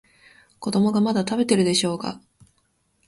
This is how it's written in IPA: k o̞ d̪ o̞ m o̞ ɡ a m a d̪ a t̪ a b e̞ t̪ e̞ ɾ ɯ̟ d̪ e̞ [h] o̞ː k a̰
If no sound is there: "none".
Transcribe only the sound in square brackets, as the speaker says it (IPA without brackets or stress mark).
ɕ